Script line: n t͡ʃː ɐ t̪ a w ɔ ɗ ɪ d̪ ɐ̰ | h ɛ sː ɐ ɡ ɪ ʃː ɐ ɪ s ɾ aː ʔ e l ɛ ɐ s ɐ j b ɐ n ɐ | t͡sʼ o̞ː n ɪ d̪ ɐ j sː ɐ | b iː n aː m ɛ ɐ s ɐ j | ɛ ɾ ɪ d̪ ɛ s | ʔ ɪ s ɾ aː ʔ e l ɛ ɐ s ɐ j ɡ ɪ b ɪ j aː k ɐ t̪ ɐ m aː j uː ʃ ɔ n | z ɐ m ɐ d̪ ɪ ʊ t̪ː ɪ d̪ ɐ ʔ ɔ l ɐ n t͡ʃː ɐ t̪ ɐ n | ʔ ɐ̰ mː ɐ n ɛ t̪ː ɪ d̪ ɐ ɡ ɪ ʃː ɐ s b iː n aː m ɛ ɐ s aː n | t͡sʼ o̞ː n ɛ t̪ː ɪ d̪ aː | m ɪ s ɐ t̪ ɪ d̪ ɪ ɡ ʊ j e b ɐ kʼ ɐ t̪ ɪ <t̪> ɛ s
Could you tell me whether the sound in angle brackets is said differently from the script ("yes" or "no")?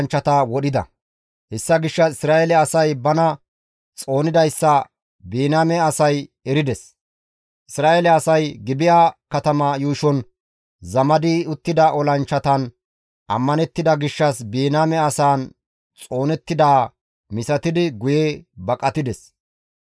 yes